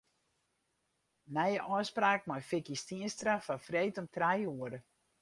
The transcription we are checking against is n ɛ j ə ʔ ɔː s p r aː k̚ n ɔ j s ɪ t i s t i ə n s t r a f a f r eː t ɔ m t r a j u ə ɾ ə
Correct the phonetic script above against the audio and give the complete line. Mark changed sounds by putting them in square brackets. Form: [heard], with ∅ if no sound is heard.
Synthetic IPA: n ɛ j ə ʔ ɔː s p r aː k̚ [m] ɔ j [f] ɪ [k] i s t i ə n s t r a f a f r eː t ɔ m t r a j u ə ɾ ə

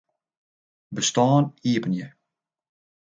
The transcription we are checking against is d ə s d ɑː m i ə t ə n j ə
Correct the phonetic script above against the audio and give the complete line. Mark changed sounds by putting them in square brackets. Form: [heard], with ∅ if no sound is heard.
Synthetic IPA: [b] ə s [t] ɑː [n] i ə [p] ə n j ə

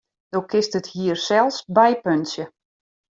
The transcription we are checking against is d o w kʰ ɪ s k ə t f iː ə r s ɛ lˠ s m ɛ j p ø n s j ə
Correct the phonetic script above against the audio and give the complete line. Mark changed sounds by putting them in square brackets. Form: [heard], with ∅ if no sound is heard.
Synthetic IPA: d o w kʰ ɪ s [t] ə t [h] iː ə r s ɛ lˠ s [b] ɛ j p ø n s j ə

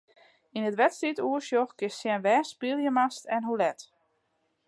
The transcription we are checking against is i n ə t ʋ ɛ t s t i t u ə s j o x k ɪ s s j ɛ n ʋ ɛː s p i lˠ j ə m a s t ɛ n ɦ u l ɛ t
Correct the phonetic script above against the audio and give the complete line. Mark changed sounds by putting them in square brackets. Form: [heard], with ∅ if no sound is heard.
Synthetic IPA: i n ə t ʋ ɛ t s t i t u ə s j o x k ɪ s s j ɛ n ʋ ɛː s p i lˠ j ə m a s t ɛ n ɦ u l ɛ t

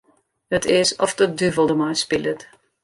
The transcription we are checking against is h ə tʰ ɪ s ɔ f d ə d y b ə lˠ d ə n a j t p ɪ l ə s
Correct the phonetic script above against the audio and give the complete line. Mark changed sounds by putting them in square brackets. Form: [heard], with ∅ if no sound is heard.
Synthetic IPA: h ə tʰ ɪ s ɔ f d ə d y [v] ə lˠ d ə [m] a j [s] p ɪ l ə [t]

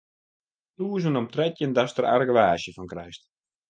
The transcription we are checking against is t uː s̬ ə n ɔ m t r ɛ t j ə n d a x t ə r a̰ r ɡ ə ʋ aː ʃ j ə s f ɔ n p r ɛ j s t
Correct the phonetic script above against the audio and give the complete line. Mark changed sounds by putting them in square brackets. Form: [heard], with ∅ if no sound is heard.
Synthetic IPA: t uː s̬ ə n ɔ m t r ɛ t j ə n d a [s] t ə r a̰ r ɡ ə ʋ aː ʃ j ə [∅] f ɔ n [k] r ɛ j s t

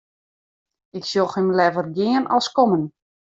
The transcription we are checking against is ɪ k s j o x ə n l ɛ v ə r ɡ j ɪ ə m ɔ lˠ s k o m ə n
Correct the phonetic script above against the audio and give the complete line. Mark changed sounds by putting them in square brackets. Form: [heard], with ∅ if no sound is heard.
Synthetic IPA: ɪ k s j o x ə [m] l ɛ v ə r ɡ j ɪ ə [n] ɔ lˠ s k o m ə n

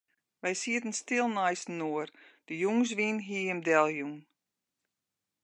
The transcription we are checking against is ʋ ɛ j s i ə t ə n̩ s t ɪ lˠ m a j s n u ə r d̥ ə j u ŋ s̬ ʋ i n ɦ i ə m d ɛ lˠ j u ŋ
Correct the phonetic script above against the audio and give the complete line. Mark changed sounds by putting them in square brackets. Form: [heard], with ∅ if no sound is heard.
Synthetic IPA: ʋ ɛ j s i ə t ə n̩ s t ɪ lˠ [n] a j s n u ə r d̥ ə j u ŋ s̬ ʋ i n ɦ i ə m d ɛ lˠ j u ŋ

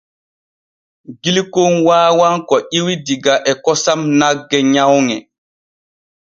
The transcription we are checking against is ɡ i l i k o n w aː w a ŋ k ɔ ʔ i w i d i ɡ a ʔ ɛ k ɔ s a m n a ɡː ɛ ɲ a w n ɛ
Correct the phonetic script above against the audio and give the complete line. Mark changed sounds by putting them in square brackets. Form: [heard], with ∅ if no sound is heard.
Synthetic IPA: ɡ i l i k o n w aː w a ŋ k ɔ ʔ i w i d i ɡ a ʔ ɛ k ɔ s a m n a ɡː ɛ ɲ a w [ŋ] ɛ

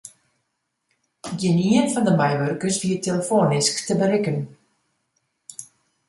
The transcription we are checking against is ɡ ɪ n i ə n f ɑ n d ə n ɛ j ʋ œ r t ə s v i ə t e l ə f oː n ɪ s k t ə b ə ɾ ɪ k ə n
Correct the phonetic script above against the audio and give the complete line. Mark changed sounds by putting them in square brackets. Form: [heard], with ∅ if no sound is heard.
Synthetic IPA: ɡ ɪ n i ə n f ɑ n d ə [m] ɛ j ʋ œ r [k] ə s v i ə t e l ə f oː n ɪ s k t ə b ə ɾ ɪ k ə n

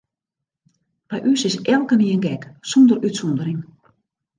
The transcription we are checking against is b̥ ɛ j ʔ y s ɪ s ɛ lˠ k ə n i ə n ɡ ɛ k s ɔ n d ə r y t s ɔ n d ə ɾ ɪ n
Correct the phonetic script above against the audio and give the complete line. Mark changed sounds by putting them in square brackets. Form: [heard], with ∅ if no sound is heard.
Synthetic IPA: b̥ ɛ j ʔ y s ɪ s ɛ lˠ k ə n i ə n ɡ ɛ k s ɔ n d ə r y t s ɔ n d ə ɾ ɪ [ŋ]

